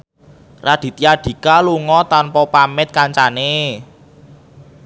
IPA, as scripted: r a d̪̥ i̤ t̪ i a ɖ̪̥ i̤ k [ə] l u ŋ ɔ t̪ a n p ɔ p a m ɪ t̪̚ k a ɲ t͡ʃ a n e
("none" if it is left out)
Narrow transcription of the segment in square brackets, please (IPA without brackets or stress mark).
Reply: a